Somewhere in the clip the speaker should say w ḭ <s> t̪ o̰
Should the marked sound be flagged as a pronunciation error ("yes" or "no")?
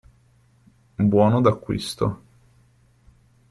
no